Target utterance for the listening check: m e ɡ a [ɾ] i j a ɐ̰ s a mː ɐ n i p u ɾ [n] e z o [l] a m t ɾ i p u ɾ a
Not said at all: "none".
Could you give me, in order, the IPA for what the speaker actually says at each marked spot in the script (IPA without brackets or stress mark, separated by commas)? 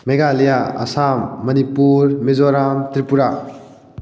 l, m, ɾ